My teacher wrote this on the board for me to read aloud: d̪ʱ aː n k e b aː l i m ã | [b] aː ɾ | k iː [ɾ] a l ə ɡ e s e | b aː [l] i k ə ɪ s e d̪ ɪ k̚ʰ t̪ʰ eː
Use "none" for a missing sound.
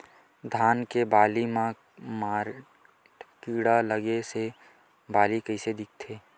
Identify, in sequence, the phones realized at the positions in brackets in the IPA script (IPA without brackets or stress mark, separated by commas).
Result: m, ɽ, l